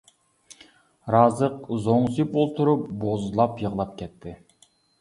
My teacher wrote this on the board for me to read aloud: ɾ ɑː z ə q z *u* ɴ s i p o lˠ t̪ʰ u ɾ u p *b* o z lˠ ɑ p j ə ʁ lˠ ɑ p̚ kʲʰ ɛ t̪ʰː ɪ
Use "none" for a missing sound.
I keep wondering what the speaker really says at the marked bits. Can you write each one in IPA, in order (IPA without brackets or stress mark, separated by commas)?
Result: o, b